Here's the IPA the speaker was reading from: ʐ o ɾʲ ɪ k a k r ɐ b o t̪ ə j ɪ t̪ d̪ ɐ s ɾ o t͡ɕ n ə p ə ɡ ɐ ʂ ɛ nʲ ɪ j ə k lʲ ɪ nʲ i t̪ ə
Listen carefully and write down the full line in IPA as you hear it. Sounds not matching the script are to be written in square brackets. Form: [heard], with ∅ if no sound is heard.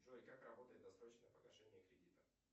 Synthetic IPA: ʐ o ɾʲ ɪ k a k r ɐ b o t̪ ə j ɪ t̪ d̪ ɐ s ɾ o t͡ɕ n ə p ə ɡ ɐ ʂ ɛ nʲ ɪ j ə k [ɾʲ] ɪ [dʲ] i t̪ ə